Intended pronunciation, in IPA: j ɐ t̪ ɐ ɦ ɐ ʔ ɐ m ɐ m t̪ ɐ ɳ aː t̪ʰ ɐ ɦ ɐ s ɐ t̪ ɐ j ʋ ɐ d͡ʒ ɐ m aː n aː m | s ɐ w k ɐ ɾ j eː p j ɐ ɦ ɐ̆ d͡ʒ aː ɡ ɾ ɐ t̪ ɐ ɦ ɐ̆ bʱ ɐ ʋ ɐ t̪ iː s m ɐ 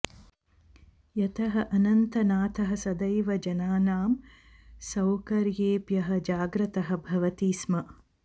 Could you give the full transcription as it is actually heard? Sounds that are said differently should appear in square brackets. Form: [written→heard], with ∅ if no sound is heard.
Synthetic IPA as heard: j ɐ t̪ ɐ ɦ ɐ ʔ ɐ [m→n] ɐ [m→n] t̪ ɐ [ɳ→n] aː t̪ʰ ɐ ɦ ɐ s ɐ [t̪→d̪] ɐ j ʋ ɐ d͡ʒ ɐ [m→n] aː n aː m | s ɐ w k ɐ ɾ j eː p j ɐ ɦ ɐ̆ d͡ʒ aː ɡ ɾ ɐ t̪ ɐ ɦ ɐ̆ bʱ ɐ ʋ ɐ t̪ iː s m ɐ